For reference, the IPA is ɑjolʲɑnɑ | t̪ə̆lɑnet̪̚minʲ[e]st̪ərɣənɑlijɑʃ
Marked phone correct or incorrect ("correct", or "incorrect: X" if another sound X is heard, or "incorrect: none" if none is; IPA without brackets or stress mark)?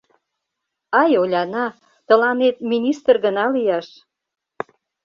incorrect: i